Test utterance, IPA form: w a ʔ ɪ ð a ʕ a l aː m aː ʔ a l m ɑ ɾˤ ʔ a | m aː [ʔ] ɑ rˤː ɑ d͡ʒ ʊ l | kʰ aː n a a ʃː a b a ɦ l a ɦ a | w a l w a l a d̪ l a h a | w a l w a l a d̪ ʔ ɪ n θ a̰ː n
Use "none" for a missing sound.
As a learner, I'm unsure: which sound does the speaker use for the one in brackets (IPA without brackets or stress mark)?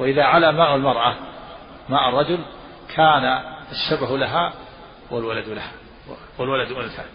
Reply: ʔ